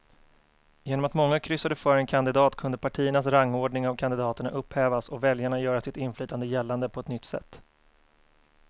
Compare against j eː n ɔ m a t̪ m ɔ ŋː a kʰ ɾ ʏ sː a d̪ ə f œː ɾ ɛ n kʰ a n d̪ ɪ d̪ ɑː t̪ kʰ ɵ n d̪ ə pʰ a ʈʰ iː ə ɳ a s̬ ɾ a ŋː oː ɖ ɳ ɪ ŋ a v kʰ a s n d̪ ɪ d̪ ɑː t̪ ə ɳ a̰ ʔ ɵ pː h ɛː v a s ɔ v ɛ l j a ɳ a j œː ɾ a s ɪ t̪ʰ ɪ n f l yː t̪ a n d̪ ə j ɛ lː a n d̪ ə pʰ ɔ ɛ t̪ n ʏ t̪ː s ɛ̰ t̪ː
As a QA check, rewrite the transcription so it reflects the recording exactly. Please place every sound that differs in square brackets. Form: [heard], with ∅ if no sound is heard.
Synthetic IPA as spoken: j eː n ɔ m a t̪ m ɔ ŋː a kʰ ɾ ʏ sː a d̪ ə f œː ɾ ɛ n kʰ a n d̪ ɪ d̪ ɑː t̪ kʰ ɵ n d̪ ə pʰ a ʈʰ iː ə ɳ a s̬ ɾ a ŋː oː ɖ ɳ ɪ ŋ a v kʰ a [∅] n d̪ ɪ d̪ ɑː t̪ ə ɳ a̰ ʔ ɵ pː h ɛː v a s ɔ v ɛ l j a ɳ a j œː ɾ a s ɪ [t̪] ɪ n f l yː t̪ a n d̪ ə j ɛ lː a n d̪ ə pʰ ɔ ɛ t̪ n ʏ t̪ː s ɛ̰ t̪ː